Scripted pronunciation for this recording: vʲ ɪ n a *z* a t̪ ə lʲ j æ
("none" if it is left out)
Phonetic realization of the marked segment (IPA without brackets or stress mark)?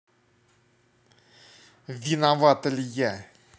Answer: v